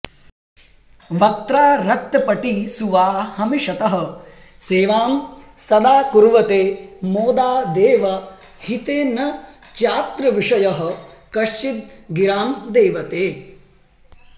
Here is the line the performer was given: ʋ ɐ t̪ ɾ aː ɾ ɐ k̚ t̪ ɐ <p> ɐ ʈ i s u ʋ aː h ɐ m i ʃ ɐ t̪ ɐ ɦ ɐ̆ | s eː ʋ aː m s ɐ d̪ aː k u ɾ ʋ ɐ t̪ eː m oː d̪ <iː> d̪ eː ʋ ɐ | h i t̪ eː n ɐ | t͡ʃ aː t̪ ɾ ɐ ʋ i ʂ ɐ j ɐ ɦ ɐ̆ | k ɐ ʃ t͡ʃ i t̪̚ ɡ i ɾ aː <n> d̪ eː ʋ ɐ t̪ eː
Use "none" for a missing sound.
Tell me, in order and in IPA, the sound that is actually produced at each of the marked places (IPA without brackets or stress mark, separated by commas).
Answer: p, aː, m